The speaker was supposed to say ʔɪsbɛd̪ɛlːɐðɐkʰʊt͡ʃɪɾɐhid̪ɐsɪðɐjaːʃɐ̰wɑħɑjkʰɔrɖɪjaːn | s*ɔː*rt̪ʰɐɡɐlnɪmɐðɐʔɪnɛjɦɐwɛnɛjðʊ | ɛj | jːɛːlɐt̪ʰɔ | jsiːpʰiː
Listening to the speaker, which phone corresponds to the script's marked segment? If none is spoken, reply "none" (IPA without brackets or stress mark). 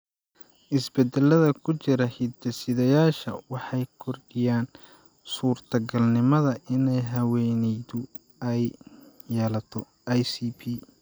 uː